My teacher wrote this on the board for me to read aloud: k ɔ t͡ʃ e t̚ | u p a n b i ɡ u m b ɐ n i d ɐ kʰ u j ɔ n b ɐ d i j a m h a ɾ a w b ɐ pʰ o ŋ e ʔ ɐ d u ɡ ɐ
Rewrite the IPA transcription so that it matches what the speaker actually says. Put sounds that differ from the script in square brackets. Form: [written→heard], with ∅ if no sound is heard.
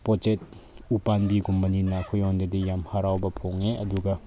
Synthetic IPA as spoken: [k→p] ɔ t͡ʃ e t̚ | u p a n b i ɡ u m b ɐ n i [d→n] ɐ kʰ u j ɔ n [b→d] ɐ d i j a m h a ɾ a w b ɐ pʰ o ŋ e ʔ ɐ d u ɡ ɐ

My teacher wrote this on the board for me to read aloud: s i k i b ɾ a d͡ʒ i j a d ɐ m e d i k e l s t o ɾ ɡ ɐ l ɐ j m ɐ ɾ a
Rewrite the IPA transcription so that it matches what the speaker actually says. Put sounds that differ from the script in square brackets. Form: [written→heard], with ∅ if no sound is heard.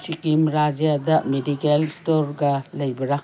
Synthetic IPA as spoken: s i k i [b→m] ɾ a d͡ʒ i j a d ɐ m e d i k e l s t o ɾ ɡ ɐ l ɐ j [m→b] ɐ ɾ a

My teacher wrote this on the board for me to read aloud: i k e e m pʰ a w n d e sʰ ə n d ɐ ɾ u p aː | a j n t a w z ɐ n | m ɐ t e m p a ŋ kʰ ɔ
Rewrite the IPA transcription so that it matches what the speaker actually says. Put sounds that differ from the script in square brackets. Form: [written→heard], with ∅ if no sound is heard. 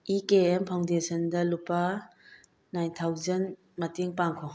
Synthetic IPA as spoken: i k e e m pʰ a w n d e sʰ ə n d ɐ [ɾ→l] u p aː | a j n [t→tʰ] a w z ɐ n | m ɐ t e [m→ŋ] p a ŋ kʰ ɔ

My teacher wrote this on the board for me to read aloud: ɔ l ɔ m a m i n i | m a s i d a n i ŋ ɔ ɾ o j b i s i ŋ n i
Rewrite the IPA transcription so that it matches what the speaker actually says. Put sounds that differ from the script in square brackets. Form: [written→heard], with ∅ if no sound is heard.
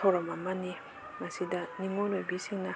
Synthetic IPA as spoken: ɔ [l→ɾ] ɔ m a m [i→a] n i | m a s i d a n i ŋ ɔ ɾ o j b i s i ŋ n [i→a]

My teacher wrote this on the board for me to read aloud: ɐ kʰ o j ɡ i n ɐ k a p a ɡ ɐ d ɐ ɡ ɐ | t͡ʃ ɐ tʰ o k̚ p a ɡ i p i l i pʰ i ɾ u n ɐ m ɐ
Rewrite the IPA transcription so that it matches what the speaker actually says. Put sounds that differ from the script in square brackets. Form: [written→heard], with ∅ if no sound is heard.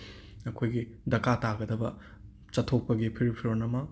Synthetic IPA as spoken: ɐ kʰ o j ɡ i [n→d] ɐ k a [p→t] a ɡ ɐ d ɐ [ɡ→b] ɐ | t͡ʃ ɐ tʰ o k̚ p [a→ɐ] ɡ i [p→pʰ] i [l→ɾ] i pʰ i ɾ [u→o] n ɐ m ɐ

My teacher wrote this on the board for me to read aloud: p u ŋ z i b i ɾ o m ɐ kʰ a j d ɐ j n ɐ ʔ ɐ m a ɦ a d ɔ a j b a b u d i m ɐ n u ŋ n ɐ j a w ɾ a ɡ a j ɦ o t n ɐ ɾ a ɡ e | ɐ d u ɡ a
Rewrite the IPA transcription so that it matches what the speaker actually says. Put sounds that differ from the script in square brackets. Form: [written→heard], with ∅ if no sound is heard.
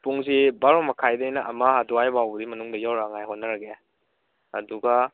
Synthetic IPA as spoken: p u ŋ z i b [i→a] ɾ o m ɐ kʰ a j d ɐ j n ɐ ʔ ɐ m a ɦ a d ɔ a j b a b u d i m ɐ n u ŋ [n→d] ɐ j a w ɾ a [ɡ→ŋ] a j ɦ o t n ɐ ɾ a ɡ e | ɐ d u ɡ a

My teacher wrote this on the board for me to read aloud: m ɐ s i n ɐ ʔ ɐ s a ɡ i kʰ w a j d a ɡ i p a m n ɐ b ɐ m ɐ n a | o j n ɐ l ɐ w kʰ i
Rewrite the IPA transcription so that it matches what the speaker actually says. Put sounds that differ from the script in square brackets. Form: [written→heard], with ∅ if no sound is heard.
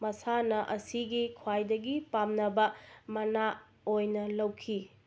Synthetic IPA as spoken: m ɐ s [i→a] n ɐ ʔ ɐ s [a→i] ɡ i kʰ w a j d [a→ɐ] ɡ i p a m n ɐ b ɐ m ɐ n a | o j n ɐ l ɐ w kʰ i

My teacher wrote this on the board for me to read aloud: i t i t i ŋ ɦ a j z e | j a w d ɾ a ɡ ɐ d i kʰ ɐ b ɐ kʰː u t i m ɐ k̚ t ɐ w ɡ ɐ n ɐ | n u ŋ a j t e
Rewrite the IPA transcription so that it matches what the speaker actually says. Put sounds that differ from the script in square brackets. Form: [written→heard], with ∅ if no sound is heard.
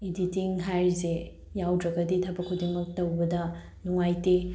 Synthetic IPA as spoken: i [t→d] i t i ŋ ɦ a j z e | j a w d ɾ [a→ɐ] ɡ ɐ d i [kʰ→tʰ] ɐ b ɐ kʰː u [t→d] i m ɐ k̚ t ɐ w [ɡ→b] ɐ [n→d] ɐ | n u ŋ a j t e

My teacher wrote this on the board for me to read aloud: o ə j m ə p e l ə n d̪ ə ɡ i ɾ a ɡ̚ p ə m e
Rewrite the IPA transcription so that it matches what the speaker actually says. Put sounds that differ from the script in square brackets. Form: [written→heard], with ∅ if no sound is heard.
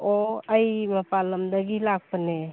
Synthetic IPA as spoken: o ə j m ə p [e→a] l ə [n→m] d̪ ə ɡ i [ɾ→l] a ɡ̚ p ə [m→n] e

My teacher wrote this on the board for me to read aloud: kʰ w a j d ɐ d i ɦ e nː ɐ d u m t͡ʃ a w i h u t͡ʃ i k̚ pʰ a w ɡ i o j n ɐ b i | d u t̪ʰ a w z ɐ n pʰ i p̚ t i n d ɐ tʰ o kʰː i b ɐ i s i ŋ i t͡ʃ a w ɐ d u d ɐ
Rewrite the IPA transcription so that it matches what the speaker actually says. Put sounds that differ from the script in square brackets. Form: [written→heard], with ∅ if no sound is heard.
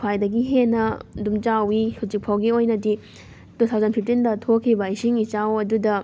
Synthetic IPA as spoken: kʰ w a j d ɐ [d→ɡ] i ɦ e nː ɐ d u m t͡ʃ a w i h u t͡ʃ i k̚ pʰ a w ɡ i o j n ɐ [b→d] i | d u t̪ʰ a w z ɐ n pʰ i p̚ t i n d ɐ tʰ o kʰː i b ɐ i s i ŋ i t͡ʃ a w ɐ d u d ɐ

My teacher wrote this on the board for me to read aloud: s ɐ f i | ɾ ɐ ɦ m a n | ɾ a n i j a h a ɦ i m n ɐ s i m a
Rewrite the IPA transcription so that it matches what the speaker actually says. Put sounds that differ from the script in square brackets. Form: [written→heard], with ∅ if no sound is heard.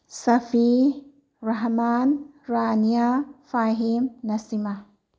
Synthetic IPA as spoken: s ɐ f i | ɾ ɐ ɦ m a n | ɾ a n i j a [h→f] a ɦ i m n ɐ s i m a

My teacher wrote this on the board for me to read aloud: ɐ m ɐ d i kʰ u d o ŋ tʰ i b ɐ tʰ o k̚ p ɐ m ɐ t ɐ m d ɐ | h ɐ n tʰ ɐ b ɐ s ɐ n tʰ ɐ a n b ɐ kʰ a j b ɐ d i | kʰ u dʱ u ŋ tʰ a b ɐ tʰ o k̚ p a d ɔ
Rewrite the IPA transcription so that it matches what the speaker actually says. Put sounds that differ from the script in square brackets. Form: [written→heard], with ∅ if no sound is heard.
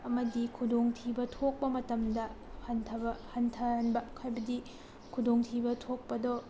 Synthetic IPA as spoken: ɐ m ɐ d i kʰ u d o ŋ tʰ i b ɐ tʰ o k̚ p ɐ m ɐ t ɐ m d ɐ | h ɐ n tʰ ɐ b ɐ [s→h] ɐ n tʰ ɐ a n b ɐ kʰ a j b ɐ d i | kʰ u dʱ [u→o] ŋ tʰ [a→i] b ɐ tʰ o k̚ p [a→ɐ] d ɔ

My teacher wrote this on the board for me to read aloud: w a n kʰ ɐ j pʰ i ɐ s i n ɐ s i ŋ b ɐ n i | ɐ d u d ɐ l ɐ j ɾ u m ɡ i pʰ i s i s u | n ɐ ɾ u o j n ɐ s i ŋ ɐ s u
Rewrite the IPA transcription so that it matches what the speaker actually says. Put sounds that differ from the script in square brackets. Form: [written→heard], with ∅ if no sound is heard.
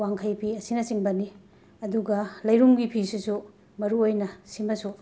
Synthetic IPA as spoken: w a [n→ŋ] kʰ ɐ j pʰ i ɐ s i n ɐ s i ŋ b ɐ n i | ɐ d u [d→ɡ] ɐ l ɐ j ɾ u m ɡ i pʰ i s i s u | [n→m] ɐ ɾ u o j n ɐ s i [ŋ→m] ɐ s u

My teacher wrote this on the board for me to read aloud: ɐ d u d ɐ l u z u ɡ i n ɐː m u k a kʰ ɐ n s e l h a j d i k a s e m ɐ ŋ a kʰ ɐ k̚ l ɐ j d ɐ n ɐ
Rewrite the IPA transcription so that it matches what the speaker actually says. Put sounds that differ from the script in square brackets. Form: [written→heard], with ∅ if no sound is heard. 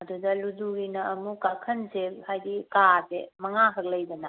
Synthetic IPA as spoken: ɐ d u d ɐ l u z u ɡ i n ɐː m u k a kʰ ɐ n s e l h a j d i k a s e m ɐ ŋ a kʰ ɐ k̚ l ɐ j d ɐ n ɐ

